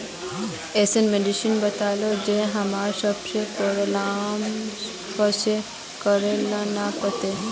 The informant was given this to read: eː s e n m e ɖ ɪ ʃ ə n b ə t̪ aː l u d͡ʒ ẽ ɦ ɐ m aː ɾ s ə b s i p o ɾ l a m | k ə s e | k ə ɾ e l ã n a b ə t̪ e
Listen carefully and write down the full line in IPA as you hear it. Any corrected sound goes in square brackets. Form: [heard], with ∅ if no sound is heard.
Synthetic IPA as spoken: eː s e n m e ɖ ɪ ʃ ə n b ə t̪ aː l [o] d͡ʒ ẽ ɦ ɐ m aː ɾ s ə b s [e] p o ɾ l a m | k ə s e | k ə ɾ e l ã n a [p] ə t̪ e